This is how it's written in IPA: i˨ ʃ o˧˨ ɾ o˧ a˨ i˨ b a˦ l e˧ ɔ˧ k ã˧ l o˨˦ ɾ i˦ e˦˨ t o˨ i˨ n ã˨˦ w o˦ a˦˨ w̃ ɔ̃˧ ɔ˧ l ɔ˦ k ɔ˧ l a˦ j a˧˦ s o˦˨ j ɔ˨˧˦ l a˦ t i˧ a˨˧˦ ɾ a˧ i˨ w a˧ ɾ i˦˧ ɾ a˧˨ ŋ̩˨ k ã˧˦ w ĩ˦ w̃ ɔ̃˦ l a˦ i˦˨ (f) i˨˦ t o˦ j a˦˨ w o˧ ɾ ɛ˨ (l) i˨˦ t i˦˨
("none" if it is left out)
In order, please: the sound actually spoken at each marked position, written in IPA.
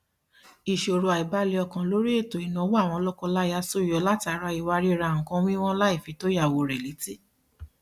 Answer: f, l

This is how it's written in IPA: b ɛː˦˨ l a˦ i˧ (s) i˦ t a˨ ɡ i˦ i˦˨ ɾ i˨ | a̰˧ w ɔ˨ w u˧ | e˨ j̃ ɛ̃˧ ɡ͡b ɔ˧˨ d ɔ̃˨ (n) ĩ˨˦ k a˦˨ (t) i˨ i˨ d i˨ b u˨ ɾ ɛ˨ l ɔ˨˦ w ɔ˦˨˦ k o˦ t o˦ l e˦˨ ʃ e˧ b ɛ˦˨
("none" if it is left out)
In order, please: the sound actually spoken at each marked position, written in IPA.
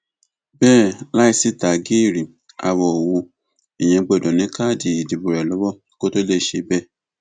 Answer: s, n, d

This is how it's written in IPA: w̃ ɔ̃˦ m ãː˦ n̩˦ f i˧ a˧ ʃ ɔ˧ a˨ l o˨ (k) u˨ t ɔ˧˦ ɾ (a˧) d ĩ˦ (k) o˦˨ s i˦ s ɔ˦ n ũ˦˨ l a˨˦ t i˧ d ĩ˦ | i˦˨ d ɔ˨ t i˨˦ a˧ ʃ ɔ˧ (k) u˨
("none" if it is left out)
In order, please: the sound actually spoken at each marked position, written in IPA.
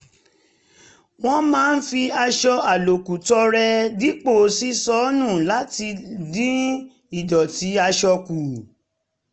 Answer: k, ɛ˧, k͡p, k

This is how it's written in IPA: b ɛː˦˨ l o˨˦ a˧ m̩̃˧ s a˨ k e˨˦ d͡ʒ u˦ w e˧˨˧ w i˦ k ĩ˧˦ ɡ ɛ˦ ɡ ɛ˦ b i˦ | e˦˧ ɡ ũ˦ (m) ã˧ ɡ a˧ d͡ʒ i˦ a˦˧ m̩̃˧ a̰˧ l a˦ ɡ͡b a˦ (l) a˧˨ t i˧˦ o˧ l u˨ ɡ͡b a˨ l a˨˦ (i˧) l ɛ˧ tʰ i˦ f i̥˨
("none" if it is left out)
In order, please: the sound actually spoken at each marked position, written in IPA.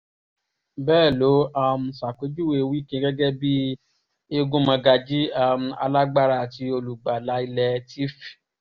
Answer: m, ɾ, i˧

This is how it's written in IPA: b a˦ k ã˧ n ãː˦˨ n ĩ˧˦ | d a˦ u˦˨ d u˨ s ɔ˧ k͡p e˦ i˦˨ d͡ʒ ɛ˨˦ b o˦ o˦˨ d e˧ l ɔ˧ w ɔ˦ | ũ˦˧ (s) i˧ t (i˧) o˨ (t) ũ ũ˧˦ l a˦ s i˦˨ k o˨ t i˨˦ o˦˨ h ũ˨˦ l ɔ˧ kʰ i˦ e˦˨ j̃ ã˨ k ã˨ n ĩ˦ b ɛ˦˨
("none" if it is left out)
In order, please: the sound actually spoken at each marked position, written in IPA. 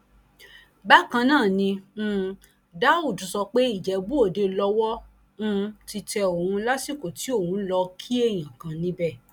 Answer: t, ɛ˧, none

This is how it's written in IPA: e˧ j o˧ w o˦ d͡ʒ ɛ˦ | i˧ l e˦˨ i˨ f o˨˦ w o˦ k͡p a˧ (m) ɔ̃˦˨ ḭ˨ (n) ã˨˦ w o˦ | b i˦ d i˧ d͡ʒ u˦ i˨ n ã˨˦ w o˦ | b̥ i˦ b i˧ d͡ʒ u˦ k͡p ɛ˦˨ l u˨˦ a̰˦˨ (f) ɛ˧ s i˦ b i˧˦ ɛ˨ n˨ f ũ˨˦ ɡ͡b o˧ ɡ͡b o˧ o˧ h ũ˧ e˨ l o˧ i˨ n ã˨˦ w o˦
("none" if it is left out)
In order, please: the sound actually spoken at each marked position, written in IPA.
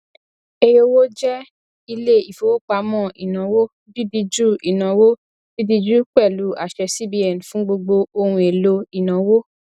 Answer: m, n, ʃ

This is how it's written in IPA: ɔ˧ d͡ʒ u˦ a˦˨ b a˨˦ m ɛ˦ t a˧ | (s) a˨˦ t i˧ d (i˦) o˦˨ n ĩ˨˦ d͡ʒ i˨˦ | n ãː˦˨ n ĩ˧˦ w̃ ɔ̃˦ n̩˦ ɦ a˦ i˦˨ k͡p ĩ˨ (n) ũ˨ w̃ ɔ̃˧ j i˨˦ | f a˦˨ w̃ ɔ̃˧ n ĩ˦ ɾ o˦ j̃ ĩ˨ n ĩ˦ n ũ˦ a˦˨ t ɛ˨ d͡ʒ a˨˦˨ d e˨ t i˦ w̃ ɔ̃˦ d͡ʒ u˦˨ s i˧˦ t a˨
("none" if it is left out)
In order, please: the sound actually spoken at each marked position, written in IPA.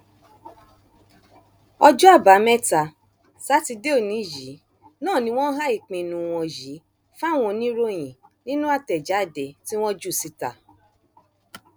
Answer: s, e˦, n

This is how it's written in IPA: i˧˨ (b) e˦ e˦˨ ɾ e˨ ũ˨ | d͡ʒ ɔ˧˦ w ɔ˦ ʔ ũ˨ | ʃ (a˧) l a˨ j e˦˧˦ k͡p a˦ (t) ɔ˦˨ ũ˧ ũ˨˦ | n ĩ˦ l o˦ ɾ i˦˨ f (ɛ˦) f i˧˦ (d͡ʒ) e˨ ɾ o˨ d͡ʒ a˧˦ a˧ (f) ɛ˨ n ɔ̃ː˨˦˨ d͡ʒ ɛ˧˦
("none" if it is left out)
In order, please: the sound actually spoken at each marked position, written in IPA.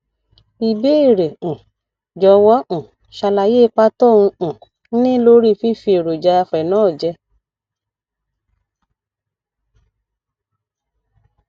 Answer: b, a˧, t, i˦, none, f

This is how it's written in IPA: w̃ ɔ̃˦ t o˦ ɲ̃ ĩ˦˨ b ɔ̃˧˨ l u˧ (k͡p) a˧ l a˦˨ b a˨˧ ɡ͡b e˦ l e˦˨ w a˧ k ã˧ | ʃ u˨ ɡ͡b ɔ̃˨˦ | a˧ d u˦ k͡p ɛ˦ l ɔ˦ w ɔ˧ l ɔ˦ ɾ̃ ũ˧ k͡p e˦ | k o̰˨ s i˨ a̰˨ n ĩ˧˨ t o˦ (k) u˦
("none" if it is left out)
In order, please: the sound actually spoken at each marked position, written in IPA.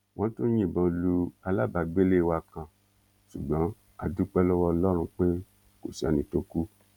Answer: none, k

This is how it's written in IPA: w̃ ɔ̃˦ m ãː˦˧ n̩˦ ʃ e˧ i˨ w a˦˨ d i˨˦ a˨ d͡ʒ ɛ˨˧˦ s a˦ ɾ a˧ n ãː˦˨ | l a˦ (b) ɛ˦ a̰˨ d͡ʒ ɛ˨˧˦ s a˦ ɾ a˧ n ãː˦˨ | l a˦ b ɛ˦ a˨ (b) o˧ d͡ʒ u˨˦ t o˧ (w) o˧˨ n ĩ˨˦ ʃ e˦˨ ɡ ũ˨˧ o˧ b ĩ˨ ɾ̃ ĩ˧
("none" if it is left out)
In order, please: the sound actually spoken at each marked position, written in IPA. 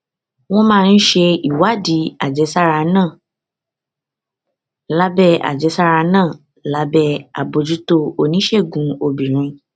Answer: b, b, none

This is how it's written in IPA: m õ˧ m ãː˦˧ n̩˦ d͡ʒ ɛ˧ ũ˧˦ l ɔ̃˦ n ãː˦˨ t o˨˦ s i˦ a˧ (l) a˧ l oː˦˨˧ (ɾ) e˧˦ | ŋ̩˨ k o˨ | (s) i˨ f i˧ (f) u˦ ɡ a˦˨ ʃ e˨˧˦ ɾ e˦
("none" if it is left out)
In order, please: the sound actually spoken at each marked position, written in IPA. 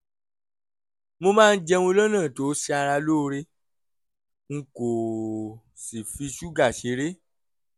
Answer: ɾ, ɾ, s, ʃ

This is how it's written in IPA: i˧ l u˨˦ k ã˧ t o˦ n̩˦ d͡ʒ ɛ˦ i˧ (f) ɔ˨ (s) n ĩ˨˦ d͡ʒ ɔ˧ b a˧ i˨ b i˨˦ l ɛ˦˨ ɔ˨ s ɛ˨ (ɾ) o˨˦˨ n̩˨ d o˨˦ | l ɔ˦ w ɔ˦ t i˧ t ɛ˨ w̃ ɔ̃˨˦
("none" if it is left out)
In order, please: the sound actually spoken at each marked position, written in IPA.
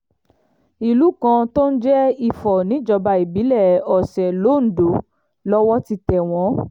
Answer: f, none, l

